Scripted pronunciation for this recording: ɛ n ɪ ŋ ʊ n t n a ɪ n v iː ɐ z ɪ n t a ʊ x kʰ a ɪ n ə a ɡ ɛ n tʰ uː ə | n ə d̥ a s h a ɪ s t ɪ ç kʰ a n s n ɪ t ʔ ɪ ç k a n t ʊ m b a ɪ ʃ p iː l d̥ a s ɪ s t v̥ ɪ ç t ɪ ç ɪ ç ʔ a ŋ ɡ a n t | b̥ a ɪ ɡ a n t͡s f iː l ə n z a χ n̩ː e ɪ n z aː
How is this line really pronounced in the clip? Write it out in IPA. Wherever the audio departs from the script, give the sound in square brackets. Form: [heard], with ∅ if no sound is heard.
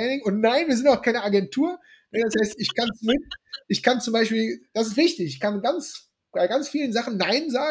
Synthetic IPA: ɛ n ɪ ŋ ʊ n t n a ɪ n v iː ɐ z ɪ n t a ʊ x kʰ a ɪ n ə a ɡ ɛ n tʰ uː [ɐ] | n ə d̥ a s h a ɪ s t ɪ ç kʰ a n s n ɪ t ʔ ɪ ç k a n [t͡s] ʊ m b a ɪ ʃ p iː l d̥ a s ɪ s t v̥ ɪ ç t ɪ ç ɪ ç [k] a [n] ɡ a n [t͡s] | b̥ a ɪ ɡ a n t͡s f iː l ə n z a χ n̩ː [a] ɪ n z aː